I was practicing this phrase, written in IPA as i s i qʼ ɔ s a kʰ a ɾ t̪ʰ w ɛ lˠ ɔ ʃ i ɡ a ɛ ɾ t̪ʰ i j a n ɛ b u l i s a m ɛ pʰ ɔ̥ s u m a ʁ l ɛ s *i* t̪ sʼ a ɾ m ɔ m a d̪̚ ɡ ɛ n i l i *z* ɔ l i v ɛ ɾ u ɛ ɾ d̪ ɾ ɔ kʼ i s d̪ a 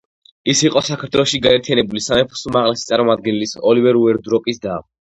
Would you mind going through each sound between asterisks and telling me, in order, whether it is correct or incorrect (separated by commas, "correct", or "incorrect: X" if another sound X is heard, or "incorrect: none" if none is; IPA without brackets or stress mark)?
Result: correct, incorrect: s